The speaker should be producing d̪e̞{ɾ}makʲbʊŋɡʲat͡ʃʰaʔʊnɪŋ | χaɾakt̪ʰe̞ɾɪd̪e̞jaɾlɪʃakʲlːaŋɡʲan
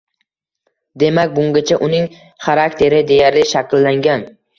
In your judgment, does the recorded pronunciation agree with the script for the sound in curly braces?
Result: no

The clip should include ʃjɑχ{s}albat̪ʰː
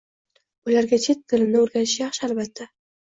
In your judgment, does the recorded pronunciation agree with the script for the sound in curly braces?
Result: no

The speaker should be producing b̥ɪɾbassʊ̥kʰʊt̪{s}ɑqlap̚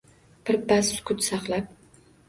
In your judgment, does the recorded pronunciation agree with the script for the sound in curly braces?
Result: yes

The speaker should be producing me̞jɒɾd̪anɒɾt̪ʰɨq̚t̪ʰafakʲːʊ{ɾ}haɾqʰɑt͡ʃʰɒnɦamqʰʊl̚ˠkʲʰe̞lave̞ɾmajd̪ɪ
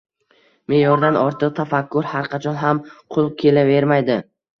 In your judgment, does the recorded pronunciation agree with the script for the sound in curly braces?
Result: yes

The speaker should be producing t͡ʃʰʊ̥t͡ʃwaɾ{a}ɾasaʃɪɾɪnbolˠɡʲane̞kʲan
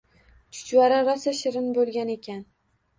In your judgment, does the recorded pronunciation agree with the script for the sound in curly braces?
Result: yes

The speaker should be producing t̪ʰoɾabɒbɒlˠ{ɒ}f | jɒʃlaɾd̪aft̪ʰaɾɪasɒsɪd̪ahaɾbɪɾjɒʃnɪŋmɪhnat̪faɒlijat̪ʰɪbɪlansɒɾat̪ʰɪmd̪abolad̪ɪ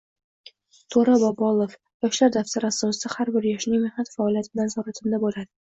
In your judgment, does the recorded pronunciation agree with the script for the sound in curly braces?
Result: no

